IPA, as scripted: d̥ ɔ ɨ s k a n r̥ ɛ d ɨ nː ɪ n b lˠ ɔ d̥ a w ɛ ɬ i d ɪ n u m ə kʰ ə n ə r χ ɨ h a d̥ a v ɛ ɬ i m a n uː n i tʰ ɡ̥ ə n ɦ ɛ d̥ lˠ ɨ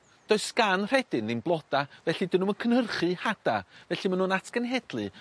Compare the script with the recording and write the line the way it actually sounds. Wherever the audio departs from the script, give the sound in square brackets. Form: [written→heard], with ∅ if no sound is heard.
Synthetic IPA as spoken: d̥ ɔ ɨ s k a n r̥ ɛ d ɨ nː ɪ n b lˠ ɔ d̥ a [w→v] ɛ ɬ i d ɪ n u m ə kʰ ə n ə r χ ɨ h a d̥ a v ɛ ɬ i m a n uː n [i→a] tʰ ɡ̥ ə n ɦ ɛ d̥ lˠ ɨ